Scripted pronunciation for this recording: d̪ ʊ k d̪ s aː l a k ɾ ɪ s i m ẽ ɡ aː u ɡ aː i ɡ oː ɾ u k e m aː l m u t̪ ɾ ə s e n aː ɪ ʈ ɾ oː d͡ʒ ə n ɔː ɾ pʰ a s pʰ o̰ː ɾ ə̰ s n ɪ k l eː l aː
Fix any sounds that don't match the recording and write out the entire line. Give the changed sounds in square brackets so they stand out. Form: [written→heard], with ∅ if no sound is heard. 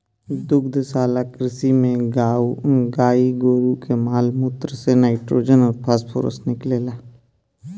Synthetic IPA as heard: d̪ ʊ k d̪ s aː l a k ɾ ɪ s i m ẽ ɡ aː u ɡ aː i ɡ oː ɾ u k e m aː l m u t̪ ɾ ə s e n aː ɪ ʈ ɾ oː d͡ʒ ə n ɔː ɾ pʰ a s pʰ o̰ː ɾ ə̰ s n ɪ k l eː l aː